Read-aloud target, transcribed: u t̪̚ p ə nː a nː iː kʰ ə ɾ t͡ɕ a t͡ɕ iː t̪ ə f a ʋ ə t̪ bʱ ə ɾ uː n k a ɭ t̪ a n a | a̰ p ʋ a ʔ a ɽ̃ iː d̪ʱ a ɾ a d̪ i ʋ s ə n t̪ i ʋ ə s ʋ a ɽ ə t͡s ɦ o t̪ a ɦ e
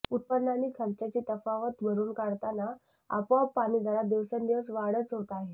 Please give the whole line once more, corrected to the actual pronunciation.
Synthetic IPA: u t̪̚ p ə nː a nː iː kʰ ə ɾ t͡ɕ a t͡ɕ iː t̪ ə f a ʋ ə t̪ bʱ ə ɾ uː n k a ɽ t̪ a n a | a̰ p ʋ a p a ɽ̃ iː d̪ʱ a ɾ a d̪ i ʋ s ə n d̪ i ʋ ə s ʋ a ɽ ə t͡s ɦ o t̪ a ɦ e